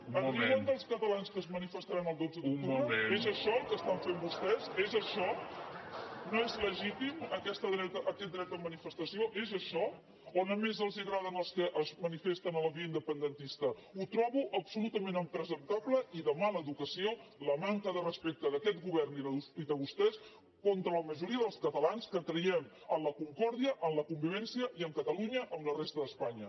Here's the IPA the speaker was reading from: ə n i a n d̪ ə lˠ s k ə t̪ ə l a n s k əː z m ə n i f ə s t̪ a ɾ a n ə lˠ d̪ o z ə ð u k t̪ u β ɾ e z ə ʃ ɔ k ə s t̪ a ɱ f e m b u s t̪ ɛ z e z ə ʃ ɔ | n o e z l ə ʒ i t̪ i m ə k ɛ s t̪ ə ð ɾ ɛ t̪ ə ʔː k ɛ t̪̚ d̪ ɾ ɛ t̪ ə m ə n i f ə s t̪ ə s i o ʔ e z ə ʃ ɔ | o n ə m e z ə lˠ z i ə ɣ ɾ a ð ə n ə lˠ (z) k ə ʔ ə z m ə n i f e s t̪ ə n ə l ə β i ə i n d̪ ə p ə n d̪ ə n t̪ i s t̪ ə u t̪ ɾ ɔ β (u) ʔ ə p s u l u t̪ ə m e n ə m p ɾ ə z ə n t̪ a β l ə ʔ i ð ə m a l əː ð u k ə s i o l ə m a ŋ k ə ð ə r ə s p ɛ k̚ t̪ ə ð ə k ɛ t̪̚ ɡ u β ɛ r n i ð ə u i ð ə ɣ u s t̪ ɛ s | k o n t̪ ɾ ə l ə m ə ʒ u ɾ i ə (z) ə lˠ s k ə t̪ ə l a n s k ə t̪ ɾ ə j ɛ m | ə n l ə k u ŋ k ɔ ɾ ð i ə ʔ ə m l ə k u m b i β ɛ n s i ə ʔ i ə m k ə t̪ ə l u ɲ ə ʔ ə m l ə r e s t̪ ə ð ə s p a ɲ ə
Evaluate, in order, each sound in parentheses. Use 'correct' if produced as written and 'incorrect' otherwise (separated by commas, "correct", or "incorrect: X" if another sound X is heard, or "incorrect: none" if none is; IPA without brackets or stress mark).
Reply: incorrect: s, correct, incorrect: ð